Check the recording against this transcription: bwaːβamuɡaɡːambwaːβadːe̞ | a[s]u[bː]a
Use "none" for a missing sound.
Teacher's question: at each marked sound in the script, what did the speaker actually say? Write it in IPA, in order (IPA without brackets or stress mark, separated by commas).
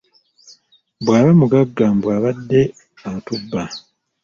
t, bː